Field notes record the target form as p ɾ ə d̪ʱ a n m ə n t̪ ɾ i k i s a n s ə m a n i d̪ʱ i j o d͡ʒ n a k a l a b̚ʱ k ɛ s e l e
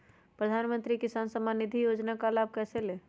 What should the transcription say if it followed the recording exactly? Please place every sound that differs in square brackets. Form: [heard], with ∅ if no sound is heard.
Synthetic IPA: p ɾ ə d̪ʱ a n m ə n t̪ ɾ i k i s a n s ə m a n i d̪ʱ i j o d͡ʒ n a k a l a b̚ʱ k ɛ s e l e